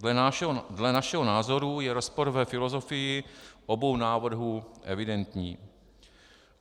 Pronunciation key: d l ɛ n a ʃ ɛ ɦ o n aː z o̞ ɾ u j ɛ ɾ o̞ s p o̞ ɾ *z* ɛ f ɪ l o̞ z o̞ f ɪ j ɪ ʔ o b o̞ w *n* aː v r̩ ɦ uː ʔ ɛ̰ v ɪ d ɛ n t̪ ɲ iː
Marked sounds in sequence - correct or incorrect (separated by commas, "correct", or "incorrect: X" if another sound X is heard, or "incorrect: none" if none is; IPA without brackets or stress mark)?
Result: incorrect: v, correct